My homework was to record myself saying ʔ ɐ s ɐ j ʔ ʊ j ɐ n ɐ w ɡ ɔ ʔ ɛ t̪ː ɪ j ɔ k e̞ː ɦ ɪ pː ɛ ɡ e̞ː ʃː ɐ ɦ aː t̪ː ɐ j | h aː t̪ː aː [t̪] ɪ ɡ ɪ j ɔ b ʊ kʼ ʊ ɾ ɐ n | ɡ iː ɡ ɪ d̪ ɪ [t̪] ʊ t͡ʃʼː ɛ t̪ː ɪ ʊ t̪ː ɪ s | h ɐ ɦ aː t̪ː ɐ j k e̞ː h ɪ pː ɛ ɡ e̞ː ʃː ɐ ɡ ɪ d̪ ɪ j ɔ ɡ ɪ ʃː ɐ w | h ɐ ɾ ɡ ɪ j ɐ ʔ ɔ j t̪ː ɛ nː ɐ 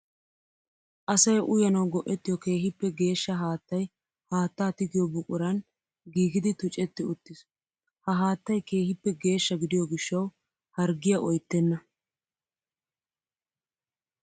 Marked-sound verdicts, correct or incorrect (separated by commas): correct, correct